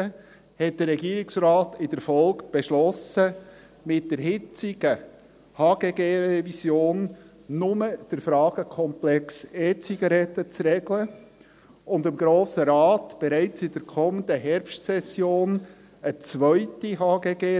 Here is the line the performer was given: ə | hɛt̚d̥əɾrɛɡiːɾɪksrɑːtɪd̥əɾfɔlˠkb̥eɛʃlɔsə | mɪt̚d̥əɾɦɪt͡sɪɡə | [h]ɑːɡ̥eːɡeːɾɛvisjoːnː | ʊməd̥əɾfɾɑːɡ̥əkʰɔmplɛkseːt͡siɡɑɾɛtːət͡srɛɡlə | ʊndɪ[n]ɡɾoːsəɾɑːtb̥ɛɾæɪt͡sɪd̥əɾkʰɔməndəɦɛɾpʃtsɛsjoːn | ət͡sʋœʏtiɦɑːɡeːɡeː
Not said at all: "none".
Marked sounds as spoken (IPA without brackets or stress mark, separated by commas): h, m